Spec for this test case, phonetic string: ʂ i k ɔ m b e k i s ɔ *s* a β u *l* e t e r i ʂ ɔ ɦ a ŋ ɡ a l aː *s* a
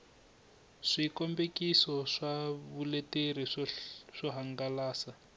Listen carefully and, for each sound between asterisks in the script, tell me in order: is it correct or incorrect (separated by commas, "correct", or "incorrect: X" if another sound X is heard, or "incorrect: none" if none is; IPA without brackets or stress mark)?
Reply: incorrect: ʂ, correct, correct